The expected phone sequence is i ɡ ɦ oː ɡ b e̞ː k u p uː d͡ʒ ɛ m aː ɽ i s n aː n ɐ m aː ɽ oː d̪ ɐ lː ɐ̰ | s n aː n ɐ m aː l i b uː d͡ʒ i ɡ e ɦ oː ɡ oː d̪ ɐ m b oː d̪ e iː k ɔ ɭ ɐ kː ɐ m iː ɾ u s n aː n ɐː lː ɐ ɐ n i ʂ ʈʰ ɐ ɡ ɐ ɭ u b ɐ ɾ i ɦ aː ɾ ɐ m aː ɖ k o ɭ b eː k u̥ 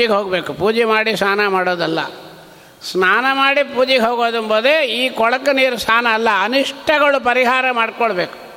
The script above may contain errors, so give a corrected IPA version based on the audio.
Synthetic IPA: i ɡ ɦ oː ɡ b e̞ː k u p uː d͡ʒ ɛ m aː ɽ i s n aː n ɐ m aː ɽ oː d̪ ɐ lː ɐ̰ | s n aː n ɐ m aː ɽ i p uː d͡ʒ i ɡ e ɦ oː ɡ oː d̪ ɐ m b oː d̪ e iː k ɔ ɭ ɐ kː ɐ n iː ɾ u s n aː n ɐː lː ɐ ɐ n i ʂ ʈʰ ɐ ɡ ɐ ɭ u p ɐ ɾ i ɦ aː ɾ ɐ m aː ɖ k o ɭ b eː k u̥